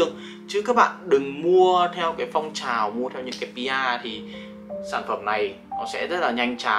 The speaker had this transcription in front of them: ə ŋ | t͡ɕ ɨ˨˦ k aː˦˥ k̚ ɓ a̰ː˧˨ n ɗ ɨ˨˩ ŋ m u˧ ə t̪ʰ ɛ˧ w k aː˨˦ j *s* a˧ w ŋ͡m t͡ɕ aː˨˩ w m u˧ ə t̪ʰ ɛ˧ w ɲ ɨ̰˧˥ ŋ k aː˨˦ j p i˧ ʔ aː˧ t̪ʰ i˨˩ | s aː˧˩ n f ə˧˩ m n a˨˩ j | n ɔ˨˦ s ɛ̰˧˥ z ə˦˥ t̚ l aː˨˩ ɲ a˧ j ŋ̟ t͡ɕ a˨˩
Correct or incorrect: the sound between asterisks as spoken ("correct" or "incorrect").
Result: incorrect